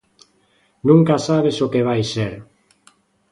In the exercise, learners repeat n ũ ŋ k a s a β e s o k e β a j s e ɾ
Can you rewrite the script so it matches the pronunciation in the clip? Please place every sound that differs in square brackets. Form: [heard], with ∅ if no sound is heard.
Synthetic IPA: n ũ ŋ k a s a β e s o k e β a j s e ɾ